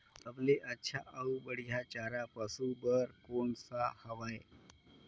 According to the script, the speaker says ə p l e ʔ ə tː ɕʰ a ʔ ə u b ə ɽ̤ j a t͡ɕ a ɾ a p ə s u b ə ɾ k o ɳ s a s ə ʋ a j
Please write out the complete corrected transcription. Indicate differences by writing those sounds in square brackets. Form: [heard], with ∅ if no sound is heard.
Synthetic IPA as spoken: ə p l e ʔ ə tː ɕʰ a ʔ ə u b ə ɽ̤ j a t͡ɕ a ɾ a p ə s u b ə ɾ k o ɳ s a [h] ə ʋ a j